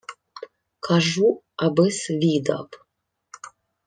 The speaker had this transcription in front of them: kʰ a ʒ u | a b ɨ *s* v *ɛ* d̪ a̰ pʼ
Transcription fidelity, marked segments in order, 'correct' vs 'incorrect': correct, incorrect: i

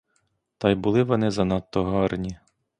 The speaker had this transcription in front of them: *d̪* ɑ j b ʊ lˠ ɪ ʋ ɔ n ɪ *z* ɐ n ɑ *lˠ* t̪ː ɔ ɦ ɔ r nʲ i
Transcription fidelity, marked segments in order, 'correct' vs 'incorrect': incorrect: t̪, correct, incorrect: none

